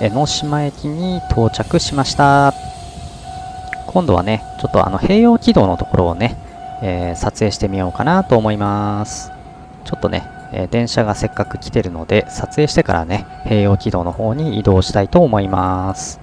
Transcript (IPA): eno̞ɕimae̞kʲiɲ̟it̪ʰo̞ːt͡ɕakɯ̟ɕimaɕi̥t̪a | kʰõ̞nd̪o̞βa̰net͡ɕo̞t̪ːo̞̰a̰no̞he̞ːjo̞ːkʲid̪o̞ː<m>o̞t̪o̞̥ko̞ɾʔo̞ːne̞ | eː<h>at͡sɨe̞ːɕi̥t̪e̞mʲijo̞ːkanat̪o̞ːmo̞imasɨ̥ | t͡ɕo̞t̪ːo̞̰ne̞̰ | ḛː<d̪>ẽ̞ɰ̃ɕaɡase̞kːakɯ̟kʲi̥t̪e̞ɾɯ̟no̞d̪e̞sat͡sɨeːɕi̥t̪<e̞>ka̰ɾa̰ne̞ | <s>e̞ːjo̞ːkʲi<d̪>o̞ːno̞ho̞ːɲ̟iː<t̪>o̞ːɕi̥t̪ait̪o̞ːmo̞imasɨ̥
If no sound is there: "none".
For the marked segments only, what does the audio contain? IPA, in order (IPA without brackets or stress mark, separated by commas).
n, s, d̪, e̞, h, d̪, d̪